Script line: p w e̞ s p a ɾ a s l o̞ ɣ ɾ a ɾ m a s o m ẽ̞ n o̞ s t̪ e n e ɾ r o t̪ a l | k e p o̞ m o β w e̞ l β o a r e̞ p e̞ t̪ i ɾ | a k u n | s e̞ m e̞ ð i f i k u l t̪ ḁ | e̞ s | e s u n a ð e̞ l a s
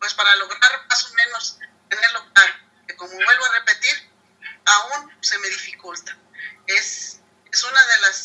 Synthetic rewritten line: p w e̞ s p a ɾ a l o̞ ɣ ɾ a ɾ m a s o m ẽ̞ n o̞ s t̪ e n e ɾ l o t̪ a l | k e k o̞ m o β w e̞ l β o a r e̞ p e̞ t̪ i ɾ | a u n | s e̞ m e̞ ð i f i k u l t̪ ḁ | e̞ s | e s u n a ð e̞ l a s